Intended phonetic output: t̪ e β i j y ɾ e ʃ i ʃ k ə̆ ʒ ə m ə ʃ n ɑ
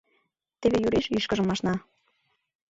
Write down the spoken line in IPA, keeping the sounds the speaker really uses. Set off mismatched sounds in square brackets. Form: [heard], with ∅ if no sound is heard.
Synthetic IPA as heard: t̪ e β [e] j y ɾ e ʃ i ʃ k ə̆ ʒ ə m [ɑ] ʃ n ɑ